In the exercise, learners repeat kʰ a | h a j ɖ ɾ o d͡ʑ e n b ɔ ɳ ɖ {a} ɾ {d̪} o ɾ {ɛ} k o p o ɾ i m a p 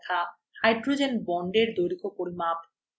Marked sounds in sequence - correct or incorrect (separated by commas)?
incorrect, correct, incorrect